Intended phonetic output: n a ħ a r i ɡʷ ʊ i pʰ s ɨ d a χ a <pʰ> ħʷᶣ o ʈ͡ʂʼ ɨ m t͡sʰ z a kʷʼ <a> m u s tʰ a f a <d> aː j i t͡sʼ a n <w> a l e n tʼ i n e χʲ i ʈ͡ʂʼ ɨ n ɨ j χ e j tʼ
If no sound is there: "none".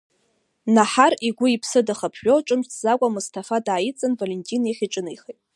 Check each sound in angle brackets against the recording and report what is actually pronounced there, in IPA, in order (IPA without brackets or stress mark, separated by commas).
pʰ, a, d, v